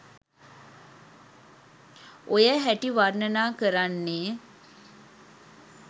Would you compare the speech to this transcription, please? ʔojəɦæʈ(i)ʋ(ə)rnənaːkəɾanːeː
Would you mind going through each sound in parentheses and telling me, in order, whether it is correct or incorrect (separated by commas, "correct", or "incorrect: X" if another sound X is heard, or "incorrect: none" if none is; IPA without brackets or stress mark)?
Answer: correct, incorrect: a